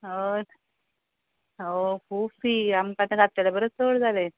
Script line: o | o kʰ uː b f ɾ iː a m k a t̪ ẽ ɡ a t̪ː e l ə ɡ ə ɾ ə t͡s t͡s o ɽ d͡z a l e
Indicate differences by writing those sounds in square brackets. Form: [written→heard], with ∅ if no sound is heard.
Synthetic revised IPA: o | o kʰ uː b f ɾ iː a m k a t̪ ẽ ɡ a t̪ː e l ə [ɡ→b] ə ɾ ə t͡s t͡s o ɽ d͡z a l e